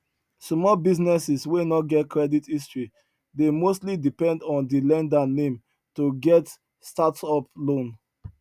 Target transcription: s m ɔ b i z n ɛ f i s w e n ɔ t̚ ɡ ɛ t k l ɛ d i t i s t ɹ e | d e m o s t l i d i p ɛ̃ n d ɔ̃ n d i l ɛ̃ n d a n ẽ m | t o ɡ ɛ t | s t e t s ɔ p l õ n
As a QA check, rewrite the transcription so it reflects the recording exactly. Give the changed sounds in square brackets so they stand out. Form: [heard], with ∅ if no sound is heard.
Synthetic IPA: s m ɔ b i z n ɛ [s] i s w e n ɔ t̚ ɡ ɛ t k [ɹ] ɛ d i t i s t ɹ [i] | d e m o s t l i d i p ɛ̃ n d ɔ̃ n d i l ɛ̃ n d a n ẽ m | t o ɡ ɛ t | s t [a] t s ɔ p l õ n